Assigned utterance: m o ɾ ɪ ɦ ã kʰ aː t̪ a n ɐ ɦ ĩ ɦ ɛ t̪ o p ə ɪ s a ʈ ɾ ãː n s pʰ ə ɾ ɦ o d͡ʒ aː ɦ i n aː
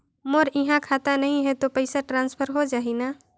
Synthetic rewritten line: m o ɾ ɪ ɦ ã kʰ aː t̪ a n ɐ ɦ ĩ ɦ ɛ t̪ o p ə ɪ s a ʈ ɾ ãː n s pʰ ə ɾ ɦ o d͡ʒ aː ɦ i n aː